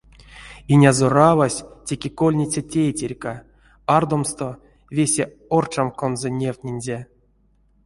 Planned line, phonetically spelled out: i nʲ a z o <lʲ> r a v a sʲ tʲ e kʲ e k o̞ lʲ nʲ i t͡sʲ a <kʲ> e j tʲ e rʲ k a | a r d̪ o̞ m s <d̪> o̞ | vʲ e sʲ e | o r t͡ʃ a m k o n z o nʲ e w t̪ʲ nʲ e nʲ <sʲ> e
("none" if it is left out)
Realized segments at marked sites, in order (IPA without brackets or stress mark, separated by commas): none, tʲ, t̪, zʲ